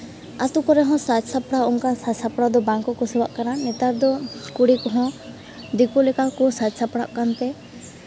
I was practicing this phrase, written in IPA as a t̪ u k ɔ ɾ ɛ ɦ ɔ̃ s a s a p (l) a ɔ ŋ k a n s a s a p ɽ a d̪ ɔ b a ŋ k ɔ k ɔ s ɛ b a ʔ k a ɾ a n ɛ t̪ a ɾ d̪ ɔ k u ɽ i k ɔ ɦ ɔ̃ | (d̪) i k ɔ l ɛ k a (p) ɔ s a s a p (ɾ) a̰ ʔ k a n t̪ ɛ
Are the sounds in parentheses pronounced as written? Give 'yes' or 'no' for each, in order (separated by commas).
no, yes, no, no